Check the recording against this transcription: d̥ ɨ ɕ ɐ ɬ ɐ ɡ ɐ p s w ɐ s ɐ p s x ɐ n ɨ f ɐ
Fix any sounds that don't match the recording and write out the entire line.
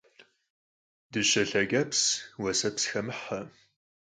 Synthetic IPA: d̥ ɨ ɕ ɐ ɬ ɐ ɡ ɐ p s w ɐ s ɐ p s x ɐ m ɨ ħ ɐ